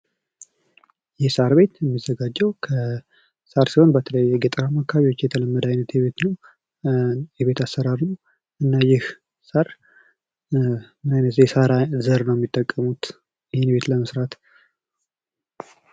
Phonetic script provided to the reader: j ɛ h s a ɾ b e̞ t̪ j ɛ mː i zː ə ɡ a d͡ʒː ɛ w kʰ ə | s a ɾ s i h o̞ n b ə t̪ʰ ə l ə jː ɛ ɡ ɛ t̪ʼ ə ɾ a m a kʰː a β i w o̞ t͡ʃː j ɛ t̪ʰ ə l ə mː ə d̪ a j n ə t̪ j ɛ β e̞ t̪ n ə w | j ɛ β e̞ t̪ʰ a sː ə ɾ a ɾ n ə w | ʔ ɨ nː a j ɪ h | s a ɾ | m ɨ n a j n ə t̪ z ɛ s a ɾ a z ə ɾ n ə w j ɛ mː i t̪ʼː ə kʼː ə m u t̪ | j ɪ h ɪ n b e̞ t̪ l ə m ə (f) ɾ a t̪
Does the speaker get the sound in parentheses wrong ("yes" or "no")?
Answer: yes